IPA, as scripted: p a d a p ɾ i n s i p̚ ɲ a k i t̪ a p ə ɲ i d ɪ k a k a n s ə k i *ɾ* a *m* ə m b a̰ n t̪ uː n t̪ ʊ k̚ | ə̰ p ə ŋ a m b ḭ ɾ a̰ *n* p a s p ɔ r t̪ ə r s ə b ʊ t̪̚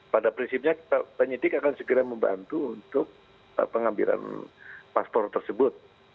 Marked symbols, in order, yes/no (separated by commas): yes, yes, yes